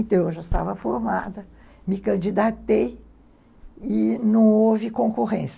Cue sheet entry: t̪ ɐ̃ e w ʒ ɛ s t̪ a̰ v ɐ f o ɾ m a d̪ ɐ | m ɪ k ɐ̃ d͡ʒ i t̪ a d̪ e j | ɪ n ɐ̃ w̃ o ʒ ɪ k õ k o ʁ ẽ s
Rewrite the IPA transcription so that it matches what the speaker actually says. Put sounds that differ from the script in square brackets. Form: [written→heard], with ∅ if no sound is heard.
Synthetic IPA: t̪ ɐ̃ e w ʒ [ɛ→a] s t̪ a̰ v ɐ f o ɾ m a d̪ ɐ | m ɪ k ɐ̃ d͡ʒ i [t̪→d̪] a [d̪→t̪] e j | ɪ n ɐ̃ w̃ o [ʒ→v] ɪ k õ k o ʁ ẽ s